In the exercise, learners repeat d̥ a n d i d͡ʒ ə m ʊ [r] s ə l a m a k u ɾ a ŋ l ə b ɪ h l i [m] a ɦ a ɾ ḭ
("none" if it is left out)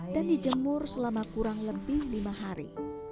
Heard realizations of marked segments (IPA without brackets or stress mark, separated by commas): r, m